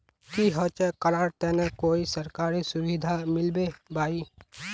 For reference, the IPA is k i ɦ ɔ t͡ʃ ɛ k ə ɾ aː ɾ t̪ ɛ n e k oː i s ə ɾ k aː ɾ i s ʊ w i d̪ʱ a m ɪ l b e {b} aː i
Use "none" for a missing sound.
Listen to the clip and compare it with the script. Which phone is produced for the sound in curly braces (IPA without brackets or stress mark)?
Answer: b